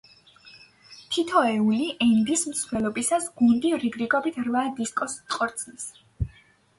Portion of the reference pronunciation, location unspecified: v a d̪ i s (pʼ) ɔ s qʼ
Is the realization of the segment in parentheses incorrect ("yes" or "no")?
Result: yes